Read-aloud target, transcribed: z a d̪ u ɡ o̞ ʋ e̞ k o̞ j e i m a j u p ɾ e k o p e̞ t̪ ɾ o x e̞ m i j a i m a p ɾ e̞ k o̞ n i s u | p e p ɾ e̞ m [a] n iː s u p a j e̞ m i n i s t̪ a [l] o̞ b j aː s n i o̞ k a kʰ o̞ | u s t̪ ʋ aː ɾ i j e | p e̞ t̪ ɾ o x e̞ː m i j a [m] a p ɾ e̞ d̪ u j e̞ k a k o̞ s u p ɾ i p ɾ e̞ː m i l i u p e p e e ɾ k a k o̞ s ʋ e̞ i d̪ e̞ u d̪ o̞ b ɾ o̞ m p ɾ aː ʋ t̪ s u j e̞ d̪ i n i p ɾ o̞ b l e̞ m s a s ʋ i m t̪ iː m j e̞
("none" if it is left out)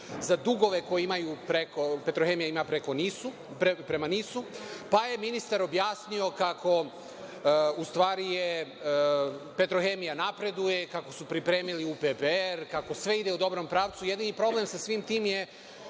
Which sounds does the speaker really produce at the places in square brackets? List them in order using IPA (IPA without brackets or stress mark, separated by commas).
a, ɾ, n